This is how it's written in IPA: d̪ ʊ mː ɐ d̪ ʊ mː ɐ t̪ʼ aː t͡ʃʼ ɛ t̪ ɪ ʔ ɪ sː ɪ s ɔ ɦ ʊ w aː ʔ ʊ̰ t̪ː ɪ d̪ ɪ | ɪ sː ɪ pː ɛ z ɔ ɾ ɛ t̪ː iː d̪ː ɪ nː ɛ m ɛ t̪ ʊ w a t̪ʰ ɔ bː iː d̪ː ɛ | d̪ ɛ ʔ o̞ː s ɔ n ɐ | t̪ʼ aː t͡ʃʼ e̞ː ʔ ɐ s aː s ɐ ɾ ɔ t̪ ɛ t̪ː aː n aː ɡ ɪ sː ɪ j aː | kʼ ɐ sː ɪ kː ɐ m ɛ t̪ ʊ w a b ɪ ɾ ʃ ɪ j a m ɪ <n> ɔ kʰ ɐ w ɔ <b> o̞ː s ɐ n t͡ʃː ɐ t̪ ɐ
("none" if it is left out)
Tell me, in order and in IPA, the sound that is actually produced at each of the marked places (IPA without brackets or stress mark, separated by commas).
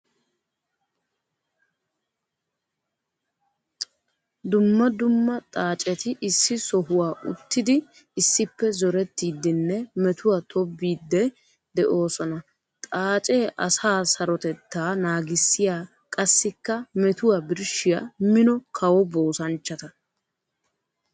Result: n, b